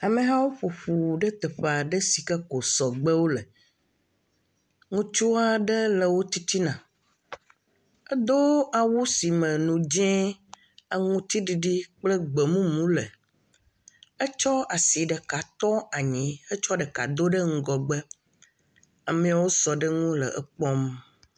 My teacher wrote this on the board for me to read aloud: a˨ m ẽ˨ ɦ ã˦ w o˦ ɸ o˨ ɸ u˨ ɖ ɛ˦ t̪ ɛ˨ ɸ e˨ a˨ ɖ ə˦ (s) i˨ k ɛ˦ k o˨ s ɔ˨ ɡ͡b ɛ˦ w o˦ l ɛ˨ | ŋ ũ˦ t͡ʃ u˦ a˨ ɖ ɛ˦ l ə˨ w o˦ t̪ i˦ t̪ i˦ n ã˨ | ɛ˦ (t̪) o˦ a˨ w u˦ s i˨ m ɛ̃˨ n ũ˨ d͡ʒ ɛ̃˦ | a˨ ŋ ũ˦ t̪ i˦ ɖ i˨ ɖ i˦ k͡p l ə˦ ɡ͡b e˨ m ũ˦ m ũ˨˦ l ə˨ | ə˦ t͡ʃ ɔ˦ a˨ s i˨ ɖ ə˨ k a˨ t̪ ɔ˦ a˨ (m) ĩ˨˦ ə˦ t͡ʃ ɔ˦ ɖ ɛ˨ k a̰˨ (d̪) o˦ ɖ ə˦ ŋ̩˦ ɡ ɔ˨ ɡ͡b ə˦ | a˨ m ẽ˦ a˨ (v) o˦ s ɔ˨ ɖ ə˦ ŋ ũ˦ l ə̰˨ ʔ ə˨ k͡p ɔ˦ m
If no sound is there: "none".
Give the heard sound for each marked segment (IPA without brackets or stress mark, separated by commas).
s, d̪, ɲ, d̪, w